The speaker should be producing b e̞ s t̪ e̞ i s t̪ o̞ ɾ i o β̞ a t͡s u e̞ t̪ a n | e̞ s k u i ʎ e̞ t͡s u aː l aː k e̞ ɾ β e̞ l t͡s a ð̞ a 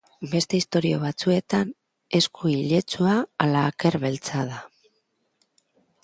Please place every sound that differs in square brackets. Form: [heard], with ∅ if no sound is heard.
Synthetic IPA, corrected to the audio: b e̞ s t̪ e̞ i s t̪ o̞ ɾ i o β̞ a t͡s u e̞ t̪ a n | e̞ s k u i ʎ e̞ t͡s u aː l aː k e̞ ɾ β e̞ l t͡s a ð̞ a

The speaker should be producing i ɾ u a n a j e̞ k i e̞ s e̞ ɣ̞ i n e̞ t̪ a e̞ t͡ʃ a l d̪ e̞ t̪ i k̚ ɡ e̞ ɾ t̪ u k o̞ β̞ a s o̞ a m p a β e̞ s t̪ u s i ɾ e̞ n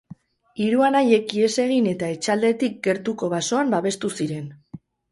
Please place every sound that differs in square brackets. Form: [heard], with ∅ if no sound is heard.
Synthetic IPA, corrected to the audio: i ɾ u a n a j e̞ k i e̞ s e̞ ɣ̞ i n e̞ t̪ a e̞ t͡ʃ a l d̪ e̞ t̪ i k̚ ɡ e̞ ɾ t̪ u k o̞ β̞ a s o̞ a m [b] a β e̞ s t̪ u s i ɾ e̞ n

